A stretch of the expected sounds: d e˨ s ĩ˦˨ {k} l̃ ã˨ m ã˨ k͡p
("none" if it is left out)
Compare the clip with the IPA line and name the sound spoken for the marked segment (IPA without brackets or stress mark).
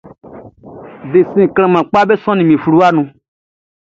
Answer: k